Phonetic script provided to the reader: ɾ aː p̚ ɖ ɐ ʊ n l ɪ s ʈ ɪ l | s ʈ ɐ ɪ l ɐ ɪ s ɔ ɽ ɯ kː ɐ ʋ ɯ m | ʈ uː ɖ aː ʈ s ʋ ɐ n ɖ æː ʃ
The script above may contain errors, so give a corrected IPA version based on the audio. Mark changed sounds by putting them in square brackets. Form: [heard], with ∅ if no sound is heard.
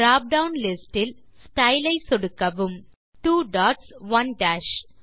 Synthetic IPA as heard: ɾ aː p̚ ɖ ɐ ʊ n l ɪ s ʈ ɪ l | s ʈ ɐ ɪ l ɐ ɪ s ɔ ɽ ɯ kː ɐ ʋ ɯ m | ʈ uː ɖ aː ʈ s ʋ ɐ n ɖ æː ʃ